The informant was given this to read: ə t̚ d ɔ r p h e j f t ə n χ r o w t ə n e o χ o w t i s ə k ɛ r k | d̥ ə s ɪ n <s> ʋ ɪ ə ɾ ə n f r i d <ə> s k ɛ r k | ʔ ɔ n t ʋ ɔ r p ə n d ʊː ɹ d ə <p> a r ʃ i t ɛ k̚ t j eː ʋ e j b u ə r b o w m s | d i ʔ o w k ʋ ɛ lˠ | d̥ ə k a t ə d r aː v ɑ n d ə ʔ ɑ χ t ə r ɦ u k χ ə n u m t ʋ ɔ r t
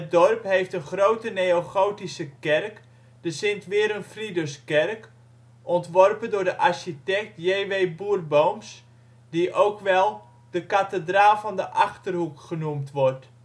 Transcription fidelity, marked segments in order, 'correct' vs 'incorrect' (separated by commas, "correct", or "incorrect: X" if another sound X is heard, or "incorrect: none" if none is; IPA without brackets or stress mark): incorrect: t, correct, incorrect: ʔ